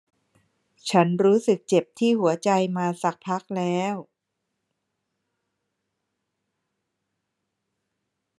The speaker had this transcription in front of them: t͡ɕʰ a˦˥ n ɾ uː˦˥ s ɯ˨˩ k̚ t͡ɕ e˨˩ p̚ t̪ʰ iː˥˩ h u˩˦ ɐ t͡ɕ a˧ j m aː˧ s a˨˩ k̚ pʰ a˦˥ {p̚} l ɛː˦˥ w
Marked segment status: incorrect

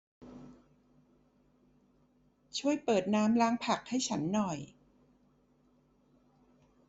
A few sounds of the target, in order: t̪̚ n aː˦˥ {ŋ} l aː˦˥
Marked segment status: incorrect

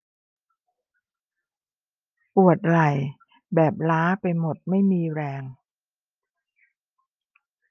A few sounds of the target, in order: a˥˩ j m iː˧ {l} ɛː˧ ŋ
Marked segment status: incorrect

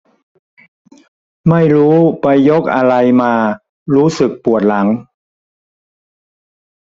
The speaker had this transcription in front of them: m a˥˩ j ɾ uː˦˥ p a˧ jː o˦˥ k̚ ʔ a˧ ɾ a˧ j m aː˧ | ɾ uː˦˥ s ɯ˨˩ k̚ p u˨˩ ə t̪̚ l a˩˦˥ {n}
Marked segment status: incorrect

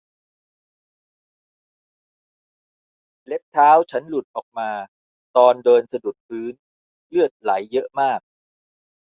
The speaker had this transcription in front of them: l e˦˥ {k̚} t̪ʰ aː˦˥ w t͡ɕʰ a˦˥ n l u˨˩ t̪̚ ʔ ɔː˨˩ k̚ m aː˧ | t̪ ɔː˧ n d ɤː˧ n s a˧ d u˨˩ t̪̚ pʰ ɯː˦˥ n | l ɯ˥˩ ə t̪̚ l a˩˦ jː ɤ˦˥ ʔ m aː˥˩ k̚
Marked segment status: incorrect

